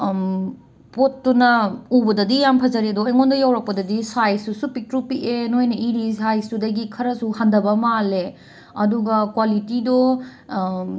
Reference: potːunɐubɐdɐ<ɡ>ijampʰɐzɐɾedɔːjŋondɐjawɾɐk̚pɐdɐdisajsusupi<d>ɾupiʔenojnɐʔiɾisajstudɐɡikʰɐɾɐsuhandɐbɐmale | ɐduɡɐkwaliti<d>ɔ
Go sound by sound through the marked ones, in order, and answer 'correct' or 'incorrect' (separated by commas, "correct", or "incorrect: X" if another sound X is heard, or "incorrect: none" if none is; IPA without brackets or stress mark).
incorrect: d, incorrect: t, correct